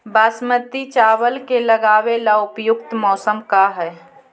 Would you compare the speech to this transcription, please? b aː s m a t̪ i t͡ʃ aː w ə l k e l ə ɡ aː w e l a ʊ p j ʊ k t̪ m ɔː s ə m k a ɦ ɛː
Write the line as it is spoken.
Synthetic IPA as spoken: b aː s m ə t̪ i t͡ʃ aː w ə l k e l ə ɡ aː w e l a ʊ p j ʊ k t̪ m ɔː s ə m k a ɦ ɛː